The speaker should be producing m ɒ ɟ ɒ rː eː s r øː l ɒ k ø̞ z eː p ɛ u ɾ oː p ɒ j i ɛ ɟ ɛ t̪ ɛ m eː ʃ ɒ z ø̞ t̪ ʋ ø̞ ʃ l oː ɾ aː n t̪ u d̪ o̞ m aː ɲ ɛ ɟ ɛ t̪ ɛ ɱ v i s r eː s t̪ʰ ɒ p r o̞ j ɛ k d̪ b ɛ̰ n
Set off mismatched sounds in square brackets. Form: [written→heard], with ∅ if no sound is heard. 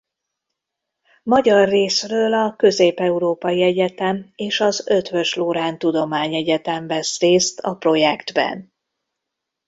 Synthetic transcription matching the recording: m ɒ ɟ ɒ rː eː s r øː l ɒ k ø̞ z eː p ɛ u ɾ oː p ɒ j i ɛ ɟ ɛ t̪ ɛ m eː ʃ ɒ z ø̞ t̪ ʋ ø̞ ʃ l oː ɾ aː n t̪ u d̪ o̞ m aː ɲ ɛ ɟ ɛ t̪ ɛ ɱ v [i→ɛ] s r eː s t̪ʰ ɒ p r o̞ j ɛ k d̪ b ɛ̰ n